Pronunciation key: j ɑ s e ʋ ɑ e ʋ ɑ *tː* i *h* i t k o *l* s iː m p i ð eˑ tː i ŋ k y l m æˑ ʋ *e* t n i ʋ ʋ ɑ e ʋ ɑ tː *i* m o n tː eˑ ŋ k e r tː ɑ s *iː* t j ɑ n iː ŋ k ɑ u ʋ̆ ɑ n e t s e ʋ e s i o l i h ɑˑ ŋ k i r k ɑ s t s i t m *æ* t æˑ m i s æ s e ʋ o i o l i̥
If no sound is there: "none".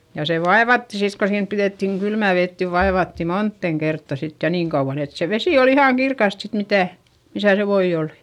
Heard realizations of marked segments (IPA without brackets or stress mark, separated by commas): tː, s, none, e, i, i, i